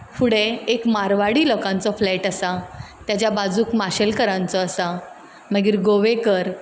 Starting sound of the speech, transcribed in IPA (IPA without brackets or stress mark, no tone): f